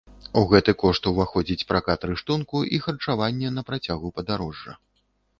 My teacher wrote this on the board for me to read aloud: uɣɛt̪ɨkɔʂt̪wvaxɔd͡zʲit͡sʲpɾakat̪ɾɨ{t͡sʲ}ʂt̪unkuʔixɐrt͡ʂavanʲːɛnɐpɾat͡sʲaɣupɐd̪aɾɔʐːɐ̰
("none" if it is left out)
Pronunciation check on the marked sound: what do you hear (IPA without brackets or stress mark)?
none